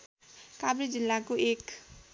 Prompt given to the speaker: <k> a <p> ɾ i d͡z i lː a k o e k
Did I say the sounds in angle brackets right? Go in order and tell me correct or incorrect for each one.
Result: correct, incorrect: b

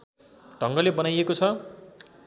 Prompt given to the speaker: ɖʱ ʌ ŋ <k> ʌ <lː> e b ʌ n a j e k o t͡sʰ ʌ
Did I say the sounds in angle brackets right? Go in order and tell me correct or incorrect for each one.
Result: incorrect: ɡ, incorrect: l

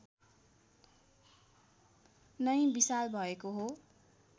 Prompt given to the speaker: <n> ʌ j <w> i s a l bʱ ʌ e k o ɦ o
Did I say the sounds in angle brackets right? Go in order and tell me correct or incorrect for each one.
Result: correct, incorrect: b

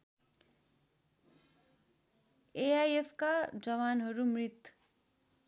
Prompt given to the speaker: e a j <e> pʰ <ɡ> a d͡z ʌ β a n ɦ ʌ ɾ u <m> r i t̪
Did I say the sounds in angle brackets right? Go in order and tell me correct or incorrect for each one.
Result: correct, incorrect: k, correct

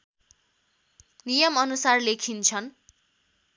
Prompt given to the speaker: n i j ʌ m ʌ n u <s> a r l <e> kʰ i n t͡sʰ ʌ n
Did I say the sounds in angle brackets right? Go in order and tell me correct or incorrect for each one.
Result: correct, correct

